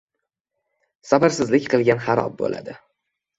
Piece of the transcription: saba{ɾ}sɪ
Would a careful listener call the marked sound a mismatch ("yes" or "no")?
no